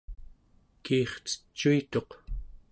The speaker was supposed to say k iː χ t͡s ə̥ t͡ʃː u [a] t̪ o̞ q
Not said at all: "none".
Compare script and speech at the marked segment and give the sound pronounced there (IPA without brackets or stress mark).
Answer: i